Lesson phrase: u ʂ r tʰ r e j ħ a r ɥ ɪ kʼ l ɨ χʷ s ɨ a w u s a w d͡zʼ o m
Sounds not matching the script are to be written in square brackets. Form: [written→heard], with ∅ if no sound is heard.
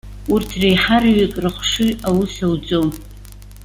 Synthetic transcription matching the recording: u [ʂ→∅] r tʰ r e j ħ a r ɥ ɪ kʼ [l→r] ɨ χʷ [s→ʂ] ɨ a w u s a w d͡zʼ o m